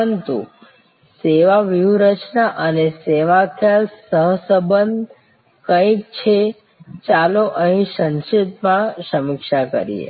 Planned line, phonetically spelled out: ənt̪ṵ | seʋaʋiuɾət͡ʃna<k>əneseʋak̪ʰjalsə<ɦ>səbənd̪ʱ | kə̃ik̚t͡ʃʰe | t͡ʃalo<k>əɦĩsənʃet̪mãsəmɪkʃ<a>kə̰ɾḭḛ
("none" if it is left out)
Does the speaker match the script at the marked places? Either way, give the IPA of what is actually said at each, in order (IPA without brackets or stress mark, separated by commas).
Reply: ʔ, ɦ, ʔ, a